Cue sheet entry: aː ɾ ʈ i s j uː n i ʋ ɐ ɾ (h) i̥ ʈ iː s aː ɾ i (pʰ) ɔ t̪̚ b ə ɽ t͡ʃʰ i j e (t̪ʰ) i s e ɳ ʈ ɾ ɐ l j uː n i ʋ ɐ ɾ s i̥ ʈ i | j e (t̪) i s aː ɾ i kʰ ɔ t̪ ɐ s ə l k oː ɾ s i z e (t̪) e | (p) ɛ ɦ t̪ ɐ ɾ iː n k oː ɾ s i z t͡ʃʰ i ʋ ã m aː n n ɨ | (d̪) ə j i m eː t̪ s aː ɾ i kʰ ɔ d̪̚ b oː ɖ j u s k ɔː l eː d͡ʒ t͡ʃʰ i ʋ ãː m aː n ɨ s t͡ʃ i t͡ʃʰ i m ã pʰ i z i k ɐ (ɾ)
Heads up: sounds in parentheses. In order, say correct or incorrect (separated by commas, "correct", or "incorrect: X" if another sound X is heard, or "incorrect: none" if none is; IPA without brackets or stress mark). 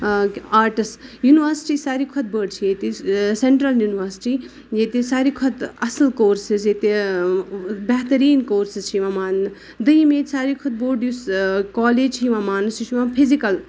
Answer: incorrect: s, incorrect: kʰ, incorrect: t̪, correct, correct, incorrect: b, correct, incorrect: l